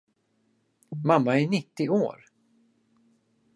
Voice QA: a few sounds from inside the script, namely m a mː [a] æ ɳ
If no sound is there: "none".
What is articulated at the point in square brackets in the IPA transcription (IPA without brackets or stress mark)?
a